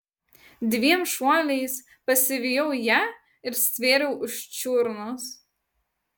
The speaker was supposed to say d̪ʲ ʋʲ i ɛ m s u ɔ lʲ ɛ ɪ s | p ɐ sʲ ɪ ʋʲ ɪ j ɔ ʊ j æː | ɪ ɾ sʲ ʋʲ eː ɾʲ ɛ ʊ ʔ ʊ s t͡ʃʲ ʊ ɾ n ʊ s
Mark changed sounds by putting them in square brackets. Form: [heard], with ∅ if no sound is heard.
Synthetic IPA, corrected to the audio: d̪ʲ ʋʲ i ɛ m [ʃ] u ɔ lʲ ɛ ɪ s | p ɐ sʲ ɪ ʋʲ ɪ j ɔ ʊ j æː | ɪ ɾ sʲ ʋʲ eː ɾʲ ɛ ʊ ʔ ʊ [ʃ] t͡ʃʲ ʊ ɾ n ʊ s